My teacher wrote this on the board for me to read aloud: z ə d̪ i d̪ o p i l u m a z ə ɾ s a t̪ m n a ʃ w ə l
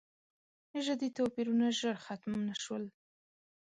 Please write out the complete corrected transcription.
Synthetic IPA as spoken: ʒ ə d̪ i t̪ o p i ɾ u n a ʒ ə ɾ x a t̪ m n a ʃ w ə l